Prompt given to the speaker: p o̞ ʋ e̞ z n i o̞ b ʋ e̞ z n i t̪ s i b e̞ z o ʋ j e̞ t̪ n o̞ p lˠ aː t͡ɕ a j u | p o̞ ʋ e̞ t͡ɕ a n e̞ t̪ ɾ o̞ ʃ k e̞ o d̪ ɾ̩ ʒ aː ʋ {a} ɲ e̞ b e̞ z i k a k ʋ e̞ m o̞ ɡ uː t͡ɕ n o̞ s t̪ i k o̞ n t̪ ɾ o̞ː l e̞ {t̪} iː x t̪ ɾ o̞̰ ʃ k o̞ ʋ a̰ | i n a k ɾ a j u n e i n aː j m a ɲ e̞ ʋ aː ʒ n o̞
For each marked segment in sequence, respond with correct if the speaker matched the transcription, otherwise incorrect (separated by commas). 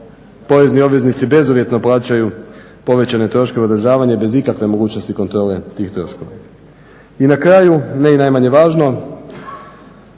correct, correct